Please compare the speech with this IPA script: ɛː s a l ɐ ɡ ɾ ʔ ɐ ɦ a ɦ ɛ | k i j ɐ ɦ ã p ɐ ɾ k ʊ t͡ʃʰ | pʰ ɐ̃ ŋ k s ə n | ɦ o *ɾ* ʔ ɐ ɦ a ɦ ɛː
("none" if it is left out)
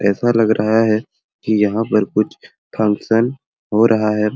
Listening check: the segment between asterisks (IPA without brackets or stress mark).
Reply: ɾ